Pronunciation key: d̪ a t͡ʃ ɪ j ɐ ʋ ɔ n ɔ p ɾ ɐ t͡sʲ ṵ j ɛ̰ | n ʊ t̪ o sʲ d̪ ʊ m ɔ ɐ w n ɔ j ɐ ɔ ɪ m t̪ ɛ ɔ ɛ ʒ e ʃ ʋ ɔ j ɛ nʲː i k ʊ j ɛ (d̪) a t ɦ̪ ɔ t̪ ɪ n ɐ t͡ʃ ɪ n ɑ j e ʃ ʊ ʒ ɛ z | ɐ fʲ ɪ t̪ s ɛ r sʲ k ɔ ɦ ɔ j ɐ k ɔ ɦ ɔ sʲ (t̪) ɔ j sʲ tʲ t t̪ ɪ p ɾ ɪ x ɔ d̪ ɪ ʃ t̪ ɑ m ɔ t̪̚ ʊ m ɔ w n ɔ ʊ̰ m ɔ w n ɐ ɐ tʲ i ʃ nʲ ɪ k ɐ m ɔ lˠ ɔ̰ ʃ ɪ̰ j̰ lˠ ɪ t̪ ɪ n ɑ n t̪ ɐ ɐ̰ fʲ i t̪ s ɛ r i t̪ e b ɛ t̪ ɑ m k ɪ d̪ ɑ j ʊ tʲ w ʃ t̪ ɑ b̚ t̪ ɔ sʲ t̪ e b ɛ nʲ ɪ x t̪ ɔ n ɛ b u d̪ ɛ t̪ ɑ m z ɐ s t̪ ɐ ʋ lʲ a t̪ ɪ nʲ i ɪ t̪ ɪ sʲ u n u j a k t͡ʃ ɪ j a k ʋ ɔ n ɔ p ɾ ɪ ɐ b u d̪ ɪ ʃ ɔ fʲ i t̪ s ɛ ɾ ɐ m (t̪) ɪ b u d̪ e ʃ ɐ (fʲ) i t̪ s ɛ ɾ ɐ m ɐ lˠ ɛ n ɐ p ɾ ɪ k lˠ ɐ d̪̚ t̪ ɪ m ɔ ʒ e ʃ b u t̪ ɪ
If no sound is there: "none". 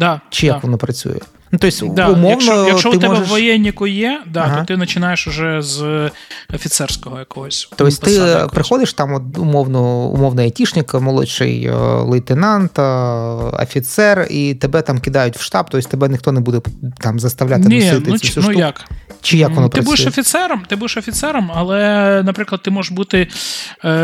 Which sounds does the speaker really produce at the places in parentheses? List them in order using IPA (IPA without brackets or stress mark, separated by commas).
d̪, t̪, t̪, fʲ